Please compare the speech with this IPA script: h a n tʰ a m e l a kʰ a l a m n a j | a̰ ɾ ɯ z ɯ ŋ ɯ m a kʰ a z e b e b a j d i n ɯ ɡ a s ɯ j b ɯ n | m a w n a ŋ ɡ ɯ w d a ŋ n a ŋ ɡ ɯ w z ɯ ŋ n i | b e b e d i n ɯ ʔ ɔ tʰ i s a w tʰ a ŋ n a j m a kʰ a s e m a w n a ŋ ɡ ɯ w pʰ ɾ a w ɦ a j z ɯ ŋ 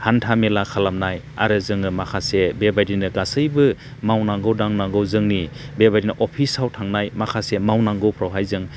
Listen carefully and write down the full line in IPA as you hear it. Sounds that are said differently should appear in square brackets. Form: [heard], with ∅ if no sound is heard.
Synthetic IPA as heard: h a n tʰ a m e l a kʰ a l a m n a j | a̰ ɾ ɯ z ɯ ŋ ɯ m a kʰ a [s] e b e b a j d i n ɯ ɡ a s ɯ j b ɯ [∅] | m a w n a ŋ ɡ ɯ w d a ŋ n a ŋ ɡ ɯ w z ɯ ŋ n i | b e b [a] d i n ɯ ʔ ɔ [pʰ] i s a w tʰ a ŋ n a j m a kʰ a s e m a w n a ŋ ɡ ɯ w pʰ ɾ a w ɦ a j z ɯ ŋ